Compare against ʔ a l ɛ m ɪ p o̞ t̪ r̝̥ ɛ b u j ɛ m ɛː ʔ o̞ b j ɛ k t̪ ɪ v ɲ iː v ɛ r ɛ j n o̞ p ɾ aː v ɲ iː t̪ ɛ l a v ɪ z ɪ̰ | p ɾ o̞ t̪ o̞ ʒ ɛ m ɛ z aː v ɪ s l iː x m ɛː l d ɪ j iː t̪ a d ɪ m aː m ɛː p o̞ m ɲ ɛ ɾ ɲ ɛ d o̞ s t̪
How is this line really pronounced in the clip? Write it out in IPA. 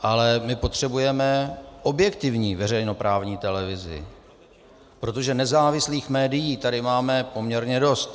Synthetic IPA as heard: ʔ a l ɛ m ɪ p o̞ t̪ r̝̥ ɛ b u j ɛ m ɛ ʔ o̞ b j ɛ k t̪ ɪ v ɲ iː v ɛ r ɛ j n o̞ p ɾ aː v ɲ iː t̪ ɛ l ɛ v ɪ z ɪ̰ | p ɾ o̞ t̪ o̞ ʒ ɛ n ɛ z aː v ɪ s l iː x m ɛː d ɪ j iː t̪ a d ɪ m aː m ɛ p o̞ m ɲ ɛ ɾ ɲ ɛ d o̞ s t̪